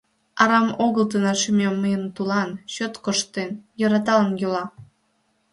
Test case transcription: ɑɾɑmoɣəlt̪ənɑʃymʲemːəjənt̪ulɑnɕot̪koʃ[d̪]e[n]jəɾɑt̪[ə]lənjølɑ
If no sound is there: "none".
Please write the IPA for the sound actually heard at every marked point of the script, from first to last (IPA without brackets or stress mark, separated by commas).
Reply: t̪, n, ɑ